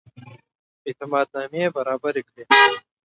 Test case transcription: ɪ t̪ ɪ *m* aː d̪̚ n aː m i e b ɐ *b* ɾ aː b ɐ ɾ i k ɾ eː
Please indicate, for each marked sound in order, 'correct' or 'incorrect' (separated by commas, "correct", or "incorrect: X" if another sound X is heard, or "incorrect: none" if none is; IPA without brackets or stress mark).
correct, incorrect: none